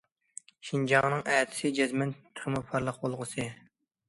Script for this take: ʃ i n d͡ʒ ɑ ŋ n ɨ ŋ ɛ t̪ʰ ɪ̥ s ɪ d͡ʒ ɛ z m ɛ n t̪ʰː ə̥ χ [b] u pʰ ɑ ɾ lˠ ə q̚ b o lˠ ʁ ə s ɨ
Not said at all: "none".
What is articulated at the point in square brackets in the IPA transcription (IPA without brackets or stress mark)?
m